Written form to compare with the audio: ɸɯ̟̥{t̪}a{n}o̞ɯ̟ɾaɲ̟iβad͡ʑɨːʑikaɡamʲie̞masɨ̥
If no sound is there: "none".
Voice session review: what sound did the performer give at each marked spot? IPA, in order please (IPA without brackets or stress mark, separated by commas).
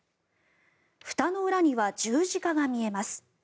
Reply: t̪, n